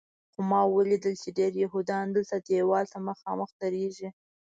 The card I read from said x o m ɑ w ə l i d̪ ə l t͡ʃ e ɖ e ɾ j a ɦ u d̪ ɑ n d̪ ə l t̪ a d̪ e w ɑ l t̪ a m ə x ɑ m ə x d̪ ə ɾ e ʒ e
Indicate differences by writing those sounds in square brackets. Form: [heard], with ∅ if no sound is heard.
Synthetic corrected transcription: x o m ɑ w ə l i d̪ ə l t͡ʃ e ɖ e ɾ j a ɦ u d̪ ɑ n d̪ ə l t̪ a d̪ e w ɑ l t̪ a m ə x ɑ m ə x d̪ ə ɾ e ʒ [i]